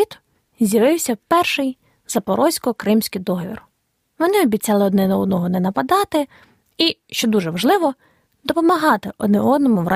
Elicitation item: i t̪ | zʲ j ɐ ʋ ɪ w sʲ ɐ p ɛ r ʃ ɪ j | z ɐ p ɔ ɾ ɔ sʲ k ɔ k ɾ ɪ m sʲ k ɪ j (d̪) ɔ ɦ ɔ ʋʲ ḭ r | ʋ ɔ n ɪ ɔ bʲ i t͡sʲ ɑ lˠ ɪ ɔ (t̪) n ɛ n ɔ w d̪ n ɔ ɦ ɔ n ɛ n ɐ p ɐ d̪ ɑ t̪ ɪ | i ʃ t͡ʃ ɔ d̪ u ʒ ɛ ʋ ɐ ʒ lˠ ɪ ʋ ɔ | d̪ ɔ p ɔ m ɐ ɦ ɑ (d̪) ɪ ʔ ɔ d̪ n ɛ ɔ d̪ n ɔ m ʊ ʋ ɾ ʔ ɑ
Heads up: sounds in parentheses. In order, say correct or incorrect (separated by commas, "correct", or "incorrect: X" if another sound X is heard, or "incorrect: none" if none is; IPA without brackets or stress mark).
correct, incorrect: d̪, incorrect: t̪